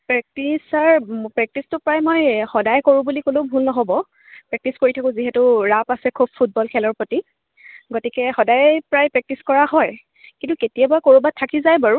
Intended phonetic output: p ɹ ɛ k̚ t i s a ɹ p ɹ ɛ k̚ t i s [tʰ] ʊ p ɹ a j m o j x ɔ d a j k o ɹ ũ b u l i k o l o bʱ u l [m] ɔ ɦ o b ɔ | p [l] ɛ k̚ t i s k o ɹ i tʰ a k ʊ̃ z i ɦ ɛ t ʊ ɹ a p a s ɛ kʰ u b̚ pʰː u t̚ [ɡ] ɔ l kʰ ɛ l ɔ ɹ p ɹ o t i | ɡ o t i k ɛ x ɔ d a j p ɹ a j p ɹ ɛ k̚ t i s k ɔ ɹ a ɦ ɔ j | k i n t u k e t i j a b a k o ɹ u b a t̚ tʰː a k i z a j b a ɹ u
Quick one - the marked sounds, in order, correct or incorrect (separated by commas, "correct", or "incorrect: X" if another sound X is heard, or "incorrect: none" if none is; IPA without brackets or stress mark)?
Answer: incorrect: t, incorrect: n, incorrect: ɹ, incorrect: b